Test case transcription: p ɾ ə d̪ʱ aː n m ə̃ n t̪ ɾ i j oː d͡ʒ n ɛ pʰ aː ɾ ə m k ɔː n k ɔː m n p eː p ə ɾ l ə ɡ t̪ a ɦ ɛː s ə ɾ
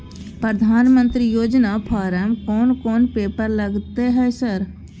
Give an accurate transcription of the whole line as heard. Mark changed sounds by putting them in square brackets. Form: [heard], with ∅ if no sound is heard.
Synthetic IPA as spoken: p ɾ ə d̪ʱ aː n m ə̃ n t̪ ɾ i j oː d͡ʒ n [a] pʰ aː ɾ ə m k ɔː n k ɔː [∅] n p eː p ə ɾ l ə ɡ t̪ [e] ɦ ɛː s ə ɾ